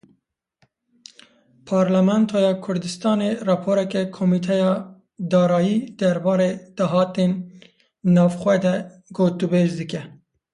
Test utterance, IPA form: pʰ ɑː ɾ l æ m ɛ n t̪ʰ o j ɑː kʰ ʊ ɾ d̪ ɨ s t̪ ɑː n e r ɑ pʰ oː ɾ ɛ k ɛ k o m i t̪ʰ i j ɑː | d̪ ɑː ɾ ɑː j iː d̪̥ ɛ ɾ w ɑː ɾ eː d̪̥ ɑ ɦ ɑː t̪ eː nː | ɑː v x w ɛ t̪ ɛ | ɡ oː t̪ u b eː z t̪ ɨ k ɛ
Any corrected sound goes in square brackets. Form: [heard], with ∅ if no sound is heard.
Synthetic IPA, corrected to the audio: pʰ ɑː ɾ l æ m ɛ n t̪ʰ o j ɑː kʰ ʊ ɾ d̪ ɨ s t̪ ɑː n e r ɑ pʰ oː ɾ ɛ k ɛ [kʰ] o m i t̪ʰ [ɛ] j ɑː | d̪ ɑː ɾ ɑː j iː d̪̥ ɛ ɾ [b] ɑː ɾ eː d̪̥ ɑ ɦ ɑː t̪ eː nː | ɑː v x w ɛ [d̪] ɛ | ɡ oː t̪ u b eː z [d̪] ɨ k ɛ